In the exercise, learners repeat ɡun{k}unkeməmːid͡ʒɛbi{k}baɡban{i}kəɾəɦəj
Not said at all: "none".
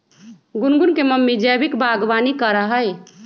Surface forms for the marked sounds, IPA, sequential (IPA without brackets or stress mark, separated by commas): ɡ, k, i